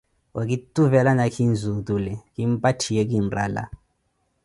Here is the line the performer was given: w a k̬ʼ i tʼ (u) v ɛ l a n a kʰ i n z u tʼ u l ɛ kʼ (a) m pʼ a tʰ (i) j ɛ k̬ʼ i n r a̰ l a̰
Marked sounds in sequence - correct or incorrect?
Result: correct, incorrect: i, correct

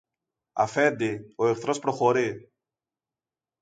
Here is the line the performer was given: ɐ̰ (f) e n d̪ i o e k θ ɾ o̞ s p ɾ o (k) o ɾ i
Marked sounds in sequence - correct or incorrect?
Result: correct, incorrect: x

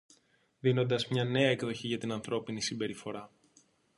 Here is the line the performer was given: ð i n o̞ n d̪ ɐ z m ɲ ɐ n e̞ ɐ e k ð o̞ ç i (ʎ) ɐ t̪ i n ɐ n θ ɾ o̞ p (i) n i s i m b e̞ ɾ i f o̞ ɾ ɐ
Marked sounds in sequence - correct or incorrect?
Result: incorrect: ʝ, correct

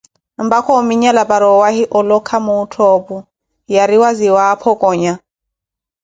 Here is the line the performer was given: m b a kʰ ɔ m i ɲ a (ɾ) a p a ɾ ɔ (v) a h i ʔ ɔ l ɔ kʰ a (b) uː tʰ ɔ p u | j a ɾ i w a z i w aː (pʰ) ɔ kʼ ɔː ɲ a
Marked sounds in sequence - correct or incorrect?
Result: incorrect: l, incorrect: w, incorrect: m, correct

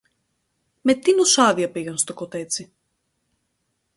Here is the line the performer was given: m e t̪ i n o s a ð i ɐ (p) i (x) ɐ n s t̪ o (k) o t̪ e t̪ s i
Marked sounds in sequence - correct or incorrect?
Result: correct, incorrect: ɣ, correct

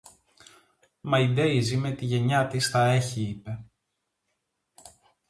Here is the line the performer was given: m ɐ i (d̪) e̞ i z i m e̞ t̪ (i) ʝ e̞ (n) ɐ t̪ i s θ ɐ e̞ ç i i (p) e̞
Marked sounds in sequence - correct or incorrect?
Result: correct, correct, incorrect: ɲ, correct

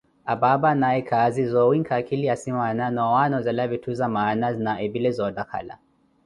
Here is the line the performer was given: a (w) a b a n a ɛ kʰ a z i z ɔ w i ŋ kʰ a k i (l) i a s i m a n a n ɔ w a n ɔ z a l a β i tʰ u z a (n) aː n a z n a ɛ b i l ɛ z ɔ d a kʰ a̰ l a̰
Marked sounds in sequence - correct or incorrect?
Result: incorrect: b, correct, incorrect: m

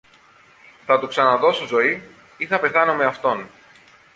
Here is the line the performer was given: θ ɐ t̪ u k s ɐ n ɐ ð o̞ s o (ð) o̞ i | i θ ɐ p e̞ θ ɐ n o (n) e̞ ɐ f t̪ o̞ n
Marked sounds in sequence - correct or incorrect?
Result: incorrect: z, incorrect: m

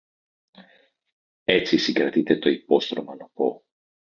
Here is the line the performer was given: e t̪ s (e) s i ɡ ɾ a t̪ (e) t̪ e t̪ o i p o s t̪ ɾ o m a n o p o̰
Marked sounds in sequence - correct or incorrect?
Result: incorrect: i, incorrect: i

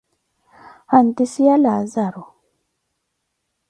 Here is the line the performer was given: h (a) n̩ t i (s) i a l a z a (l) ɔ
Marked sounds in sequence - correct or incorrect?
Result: correct, correct, incorrect: ɾ

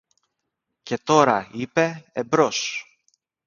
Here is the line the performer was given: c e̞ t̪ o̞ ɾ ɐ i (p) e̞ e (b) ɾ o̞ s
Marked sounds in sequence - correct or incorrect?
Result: correct, correct

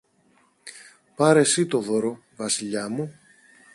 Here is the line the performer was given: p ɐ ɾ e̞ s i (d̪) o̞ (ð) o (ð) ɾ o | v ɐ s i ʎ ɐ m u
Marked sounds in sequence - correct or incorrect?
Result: incorrect: t̪, correct, incorrect: none

